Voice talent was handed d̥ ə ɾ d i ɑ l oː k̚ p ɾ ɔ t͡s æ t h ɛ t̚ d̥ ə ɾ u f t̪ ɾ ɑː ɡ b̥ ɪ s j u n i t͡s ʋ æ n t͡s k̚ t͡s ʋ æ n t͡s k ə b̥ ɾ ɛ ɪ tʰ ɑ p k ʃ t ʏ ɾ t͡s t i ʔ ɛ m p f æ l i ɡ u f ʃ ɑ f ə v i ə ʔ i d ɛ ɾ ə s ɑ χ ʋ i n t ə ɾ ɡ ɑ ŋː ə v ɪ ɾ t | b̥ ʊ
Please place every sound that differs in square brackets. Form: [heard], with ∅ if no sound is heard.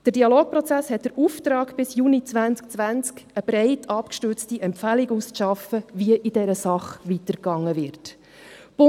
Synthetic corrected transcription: d̥ ə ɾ d i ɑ l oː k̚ p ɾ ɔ t͡s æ [s] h ɛ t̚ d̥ ə ɾ u f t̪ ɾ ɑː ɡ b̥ ɪ s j u n i t͡s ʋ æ n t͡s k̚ t͡s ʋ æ n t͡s k ə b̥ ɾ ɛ ɪ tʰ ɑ p k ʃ t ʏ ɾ t͡s t i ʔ ɛ m p f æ l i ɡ u [s] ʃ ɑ f ə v i ə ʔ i d ɛ ɾ ə s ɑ χ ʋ i [∅] t ə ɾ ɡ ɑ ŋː ə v ɪ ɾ t | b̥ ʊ